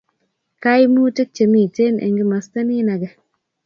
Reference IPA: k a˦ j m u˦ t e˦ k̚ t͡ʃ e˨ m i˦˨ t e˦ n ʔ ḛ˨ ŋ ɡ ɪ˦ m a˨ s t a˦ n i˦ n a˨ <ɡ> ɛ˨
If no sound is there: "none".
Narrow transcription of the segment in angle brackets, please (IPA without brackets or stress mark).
ɡ